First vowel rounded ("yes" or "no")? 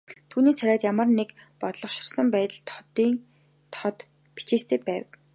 yes